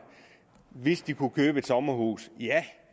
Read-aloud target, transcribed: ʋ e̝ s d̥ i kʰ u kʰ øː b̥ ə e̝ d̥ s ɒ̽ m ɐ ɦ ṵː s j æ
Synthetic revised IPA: ʋ e̝ s d̥ i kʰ u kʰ øː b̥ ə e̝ d̥ s ɒ̽ m ɐ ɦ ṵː s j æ